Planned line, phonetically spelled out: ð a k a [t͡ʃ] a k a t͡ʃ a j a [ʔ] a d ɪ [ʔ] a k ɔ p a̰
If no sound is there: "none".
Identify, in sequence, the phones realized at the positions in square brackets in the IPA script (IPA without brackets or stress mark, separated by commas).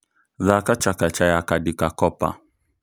t͡ʃ, k, k